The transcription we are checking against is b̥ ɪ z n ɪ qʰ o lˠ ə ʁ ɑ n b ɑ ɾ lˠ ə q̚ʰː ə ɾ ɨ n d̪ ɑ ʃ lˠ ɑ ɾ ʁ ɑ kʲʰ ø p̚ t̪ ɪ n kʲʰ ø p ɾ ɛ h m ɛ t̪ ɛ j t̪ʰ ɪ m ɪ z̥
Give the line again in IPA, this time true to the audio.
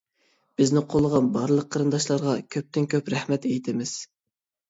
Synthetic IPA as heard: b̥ ɪ z n ɪ qʰ o lˠ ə ʁ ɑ n b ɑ ɾ lˠ ə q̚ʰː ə ɾ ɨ n d̪ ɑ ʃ lˠ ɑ ɾ ʁ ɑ kʲʰ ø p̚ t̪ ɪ n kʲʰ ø p ɾ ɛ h m ɛ t̪ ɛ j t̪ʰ ɪ m ɪ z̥